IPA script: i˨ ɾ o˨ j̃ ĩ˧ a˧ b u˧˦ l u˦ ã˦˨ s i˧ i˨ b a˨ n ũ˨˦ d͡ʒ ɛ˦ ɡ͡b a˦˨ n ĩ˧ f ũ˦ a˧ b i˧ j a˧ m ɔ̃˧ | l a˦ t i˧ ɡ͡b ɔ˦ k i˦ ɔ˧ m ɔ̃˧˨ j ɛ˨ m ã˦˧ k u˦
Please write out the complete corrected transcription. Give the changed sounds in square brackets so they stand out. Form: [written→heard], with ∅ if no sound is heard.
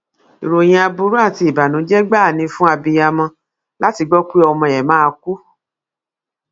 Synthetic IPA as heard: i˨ ɾ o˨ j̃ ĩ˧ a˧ b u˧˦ [l→ɾ] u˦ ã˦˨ [s→t] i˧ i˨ b a˨ n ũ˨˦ d͡ʒ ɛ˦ ɡ͡b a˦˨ n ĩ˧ f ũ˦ a˧ b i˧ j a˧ m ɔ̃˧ | l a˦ t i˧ ɡ͡b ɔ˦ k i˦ ɔ˧ m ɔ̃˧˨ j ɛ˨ m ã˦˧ k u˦

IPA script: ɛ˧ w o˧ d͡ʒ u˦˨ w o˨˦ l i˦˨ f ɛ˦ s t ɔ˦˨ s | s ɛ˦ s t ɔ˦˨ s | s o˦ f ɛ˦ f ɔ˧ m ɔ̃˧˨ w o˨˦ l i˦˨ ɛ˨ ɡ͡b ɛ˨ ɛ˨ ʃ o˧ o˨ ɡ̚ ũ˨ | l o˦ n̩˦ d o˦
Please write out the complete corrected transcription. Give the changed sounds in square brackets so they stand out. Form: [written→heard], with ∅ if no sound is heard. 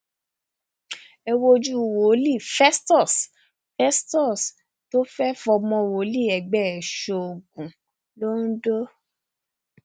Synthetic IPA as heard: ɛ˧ w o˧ d͡ʒ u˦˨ w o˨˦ l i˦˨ f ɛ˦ s t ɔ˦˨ s | [s→f] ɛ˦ s t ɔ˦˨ s | [s→t] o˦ f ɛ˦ f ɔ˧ m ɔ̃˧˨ w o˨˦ l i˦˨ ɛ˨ ɡ͡b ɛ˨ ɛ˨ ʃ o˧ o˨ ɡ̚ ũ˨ | l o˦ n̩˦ d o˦

